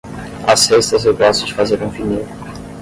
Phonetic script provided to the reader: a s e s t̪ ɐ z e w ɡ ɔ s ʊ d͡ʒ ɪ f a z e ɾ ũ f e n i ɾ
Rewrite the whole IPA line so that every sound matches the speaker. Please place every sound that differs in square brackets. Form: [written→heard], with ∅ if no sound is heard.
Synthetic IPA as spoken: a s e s t̪ ɐ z e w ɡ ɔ s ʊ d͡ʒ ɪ f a z e ɾ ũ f [e→i] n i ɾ